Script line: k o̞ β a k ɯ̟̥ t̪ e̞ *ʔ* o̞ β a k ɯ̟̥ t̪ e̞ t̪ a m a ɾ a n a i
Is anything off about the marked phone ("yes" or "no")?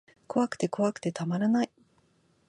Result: yes